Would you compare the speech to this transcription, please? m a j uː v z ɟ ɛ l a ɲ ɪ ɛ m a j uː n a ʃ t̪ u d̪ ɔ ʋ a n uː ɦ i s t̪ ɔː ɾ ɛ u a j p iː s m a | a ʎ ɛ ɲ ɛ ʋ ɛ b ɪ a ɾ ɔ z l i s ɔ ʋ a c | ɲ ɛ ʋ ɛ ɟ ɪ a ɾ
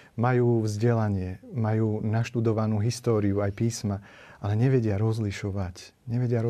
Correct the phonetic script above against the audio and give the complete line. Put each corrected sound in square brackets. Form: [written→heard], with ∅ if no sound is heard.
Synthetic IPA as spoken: m a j uː v z ɟ ɛ l a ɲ ɪ ɛ m a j uː n a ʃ t̪ u d̪ ɔ ʋ a n uː ɦ i s t̪ ɔː ɾ [ɛ→i] u a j p iː s m a | a [ʎ→l] ɛ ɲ ɛ ʋ ɛ [b→ɟ] ɪ a ɾ ɔ z l i [s→ʃ] ɔ ʋ a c | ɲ ɛ ʋ ɛ ɟ ɪ a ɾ